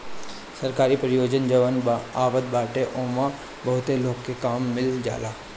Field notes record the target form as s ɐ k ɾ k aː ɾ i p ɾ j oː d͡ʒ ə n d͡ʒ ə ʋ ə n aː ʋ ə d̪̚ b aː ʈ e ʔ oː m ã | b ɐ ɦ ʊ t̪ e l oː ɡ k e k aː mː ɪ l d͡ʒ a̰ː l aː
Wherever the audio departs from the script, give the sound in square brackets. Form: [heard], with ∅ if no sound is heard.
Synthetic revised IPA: s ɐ [∅] ɾ k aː ɾ i p ɾ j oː d͡ʒ ə n d͡ʒ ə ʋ ə n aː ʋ ə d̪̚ b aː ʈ e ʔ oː m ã | b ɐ ɦ ʊ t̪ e l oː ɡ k e k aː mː ɪ l d͡ʒ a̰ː l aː